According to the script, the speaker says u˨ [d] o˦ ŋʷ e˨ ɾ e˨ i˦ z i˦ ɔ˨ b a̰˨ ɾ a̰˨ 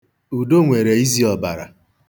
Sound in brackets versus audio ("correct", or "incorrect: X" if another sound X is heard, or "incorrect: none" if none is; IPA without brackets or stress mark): correct